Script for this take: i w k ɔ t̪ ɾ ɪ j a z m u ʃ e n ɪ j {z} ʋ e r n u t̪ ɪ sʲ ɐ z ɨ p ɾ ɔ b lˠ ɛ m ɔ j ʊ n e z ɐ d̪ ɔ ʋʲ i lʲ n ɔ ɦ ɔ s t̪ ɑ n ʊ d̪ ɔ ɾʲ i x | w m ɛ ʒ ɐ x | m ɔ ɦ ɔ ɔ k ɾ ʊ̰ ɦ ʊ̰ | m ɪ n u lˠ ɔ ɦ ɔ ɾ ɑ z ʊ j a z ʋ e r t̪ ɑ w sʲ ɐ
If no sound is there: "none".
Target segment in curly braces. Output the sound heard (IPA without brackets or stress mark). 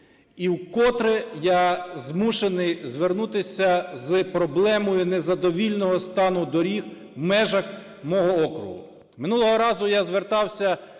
z